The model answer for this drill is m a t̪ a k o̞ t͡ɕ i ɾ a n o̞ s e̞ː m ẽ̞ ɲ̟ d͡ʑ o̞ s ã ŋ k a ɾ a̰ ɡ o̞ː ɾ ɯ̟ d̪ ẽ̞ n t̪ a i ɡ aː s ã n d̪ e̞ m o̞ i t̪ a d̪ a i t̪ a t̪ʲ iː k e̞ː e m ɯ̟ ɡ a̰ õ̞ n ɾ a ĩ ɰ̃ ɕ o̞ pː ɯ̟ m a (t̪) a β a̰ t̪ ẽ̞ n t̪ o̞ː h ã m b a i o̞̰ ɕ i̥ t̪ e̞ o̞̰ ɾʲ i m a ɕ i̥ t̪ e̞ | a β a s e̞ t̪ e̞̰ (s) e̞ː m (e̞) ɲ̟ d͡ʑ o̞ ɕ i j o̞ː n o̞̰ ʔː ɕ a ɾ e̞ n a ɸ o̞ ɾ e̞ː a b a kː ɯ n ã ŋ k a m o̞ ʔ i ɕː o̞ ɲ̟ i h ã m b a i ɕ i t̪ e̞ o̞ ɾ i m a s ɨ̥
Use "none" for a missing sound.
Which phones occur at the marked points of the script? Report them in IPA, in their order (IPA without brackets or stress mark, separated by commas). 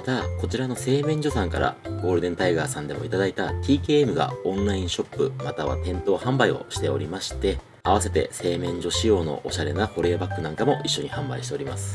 t̪, s, ẽ̞